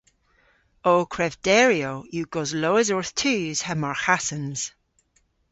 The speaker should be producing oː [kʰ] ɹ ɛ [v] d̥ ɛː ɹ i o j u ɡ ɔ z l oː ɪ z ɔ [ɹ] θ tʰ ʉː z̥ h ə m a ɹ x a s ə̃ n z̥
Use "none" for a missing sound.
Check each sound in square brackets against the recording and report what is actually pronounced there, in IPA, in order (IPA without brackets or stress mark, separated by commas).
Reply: kʰ, v, ɹ